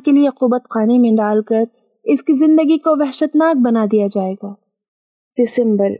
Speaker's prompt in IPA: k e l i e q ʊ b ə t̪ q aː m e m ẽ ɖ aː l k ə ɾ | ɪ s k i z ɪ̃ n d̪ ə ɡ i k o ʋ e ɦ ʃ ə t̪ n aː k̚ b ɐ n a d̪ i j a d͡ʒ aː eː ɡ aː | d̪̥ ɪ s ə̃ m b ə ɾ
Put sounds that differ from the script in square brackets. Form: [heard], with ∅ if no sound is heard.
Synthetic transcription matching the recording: k e l i e q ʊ b ə t̪ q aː [n] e m ẽ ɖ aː l k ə ɾ | ɪ s k i z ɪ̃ n d̪ ə ɡ i k o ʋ [ɛ] ɦ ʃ ə t̪ n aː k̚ b ɐ n a d̪ i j a d͡ʒ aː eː ɡ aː | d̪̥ ɪ s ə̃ m b ə ɾ